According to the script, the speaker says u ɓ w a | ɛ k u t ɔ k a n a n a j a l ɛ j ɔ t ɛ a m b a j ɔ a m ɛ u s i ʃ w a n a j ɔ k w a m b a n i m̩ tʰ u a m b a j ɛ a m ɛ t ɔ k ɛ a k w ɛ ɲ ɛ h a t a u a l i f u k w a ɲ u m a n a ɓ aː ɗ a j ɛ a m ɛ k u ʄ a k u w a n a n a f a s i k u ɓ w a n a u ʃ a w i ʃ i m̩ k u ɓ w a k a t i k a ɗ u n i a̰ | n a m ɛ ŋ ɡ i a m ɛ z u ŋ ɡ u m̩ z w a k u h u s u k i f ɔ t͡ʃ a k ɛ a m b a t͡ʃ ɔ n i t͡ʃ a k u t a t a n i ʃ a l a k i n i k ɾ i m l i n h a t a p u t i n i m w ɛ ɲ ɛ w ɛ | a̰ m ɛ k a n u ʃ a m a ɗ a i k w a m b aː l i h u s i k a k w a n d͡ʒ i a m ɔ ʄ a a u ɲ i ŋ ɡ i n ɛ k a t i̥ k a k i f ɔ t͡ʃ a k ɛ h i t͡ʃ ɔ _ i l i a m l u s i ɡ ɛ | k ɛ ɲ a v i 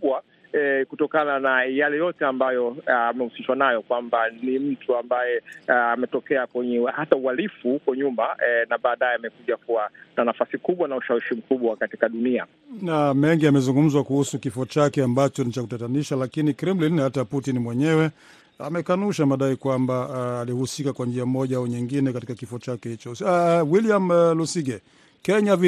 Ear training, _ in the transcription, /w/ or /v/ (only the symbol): w